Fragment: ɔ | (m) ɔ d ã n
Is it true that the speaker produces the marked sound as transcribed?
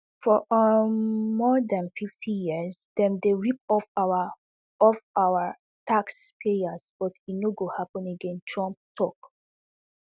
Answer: yes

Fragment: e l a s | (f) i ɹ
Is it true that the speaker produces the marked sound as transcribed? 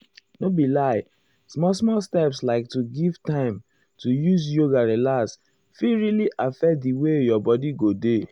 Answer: yes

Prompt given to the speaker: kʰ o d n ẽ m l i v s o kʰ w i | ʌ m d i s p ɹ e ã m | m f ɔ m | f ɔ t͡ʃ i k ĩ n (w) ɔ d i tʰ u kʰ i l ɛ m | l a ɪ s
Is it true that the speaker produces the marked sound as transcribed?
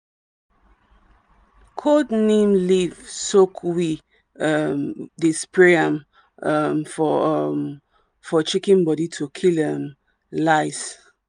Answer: no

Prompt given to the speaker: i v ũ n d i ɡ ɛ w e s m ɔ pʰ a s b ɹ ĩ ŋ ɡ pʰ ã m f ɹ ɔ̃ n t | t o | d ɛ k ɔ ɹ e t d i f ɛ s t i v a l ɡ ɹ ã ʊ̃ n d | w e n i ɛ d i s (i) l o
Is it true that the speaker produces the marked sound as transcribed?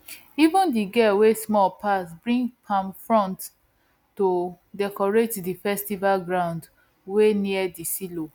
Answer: yes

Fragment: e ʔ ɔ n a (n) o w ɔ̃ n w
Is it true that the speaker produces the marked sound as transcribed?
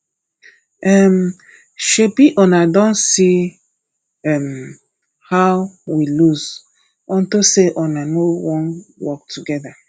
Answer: yes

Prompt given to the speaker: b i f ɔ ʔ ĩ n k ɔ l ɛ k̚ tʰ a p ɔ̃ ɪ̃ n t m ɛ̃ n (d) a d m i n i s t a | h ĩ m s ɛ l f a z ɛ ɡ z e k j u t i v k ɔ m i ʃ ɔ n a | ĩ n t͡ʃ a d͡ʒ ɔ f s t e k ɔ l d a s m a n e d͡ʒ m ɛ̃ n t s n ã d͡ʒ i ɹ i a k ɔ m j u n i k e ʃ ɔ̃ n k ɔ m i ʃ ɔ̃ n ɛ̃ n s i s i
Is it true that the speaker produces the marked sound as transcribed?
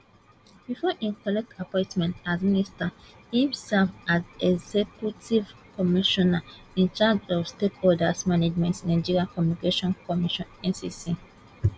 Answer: no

